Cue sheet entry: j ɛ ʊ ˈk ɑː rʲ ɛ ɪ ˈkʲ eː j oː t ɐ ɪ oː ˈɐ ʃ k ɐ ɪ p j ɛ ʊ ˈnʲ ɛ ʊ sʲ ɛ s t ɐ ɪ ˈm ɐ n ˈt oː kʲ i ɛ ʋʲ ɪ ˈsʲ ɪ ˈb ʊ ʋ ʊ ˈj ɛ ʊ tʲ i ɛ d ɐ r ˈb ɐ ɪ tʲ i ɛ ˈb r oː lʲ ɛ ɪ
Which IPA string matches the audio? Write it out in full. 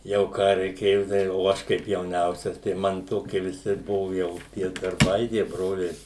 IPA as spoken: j ɛ ʊ ˈk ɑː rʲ ɛ ɪ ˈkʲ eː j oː t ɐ ɪ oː ˈɐ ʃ k ɐ ɪ p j ɛ ʊ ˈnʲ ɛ ʊ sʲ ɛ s t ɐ ɪ ˈm ɐ n ˈt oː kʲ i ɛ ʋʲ ɪ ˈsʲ ɪ ˈb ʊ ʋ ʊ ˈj ɛ ʊ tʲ i ɛ d ɐ r ˈb ɐ ɪ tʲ i ɛ ˈb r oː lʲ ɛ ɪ